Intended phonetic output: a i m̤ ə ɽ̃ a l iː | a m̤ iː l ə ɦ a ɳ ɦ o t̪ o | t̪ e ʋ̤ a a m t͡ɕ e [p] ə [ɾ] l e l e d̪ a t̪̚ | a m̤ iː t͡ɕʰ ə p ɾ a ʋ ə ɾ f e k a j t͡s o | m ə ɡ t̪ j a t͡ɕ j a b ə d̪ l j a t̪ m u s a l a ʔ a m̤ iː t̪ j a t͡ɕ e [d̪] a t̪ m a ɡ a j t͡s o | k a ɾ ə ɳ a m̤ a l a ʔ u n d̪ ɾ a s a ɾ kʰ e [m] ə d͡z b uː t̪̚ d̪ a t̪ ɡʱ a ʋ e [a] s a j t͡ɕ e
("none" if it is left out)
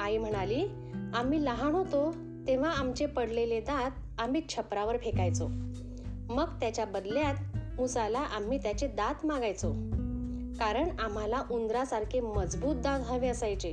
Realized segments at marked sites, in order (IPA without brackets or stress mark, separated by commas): p, ɽ, d̪, m, ə